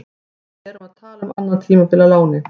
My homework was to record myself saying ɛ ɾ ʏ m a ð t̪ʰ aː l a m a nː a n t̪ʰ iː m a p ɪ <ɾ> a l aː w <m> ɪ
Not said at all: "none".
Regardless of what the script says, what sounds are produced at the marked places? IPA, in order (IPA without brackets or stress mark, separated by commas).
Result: l, n